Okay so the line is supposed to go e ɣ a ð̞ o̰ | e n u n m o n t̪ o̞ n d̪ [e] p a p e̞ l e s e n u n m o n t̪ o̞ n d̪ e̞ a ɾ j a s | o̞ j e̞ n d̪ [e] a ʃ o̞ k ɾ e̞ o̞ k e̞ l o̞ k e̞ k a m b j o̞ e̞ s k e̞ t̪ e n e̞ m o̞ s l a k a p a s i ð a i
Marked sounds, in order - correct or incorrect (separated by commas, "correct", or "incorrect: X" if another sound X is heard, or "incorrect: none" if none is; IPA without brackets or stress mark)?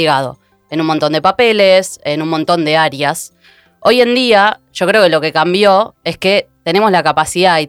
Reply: correct, incorrect: i